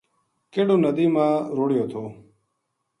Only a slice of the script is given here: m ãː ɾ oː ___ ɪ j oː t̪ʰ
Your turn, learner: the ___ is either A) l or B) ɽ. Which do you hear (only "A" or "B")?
B